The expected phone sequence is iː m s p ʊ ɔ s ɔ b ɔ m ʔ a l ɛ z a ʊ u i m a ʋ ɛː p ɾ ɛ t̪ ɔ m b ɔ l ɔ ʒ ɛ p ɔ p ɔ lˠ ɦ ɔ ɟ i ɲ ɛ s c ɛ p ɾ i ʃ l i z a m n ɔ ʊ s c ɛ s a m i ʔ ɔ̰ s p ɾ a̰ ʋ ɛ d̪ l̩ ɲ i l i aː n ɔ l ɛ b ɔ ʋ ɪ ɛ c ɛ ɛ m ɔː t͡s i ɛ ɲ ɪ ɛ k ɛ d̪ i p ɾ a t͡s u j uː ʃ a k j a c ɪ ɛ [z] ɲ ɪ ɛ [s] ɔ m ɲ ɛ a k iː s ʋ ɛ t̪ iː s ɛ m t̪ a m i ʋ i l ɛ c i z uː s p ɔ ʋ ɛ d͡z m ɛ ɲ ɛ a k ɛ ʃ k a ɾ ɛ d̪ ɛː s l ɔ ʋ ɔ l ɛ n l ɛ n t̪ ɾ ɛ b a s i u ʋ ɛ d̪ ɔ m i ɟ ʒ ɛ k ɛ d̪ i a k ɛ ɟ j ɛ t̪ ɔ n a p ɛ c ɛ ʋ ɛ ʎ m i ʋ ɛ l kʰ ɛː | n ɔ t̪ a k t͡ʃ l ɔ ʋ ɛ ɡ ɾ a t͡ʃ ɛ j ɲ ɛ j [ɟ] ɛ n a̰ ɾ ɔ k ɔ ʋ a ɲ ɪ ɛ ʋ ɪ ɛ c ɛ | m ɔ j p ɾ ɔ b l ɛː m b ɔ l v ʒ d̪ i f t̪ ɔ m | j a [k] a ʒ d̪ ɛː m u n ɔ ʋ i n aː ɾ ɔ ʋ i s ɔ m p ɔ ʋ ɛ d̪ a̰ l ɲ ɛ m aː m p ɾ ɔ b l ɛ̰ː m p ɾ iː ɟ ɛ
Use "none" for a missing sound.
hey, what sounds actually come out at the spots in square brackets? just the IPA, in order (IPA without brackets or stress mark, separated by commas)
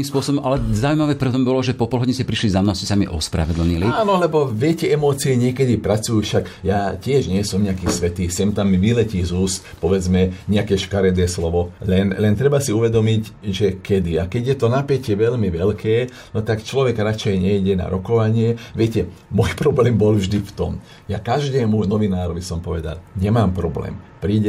ʒ, s, ɟ, k